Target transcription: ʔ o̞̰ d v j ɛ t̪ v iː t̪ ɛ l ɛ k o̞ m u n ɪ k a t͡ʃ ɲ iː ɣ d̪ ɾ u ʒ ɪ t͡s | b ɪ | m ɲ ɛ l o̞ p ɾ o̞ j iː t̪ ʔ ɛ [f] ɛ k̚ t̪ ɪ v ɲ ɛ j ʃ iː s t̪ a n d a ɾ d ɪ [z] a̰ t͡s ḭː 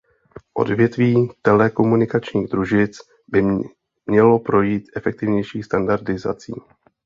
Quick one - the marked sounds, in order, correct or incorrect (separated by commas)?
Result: correct, correct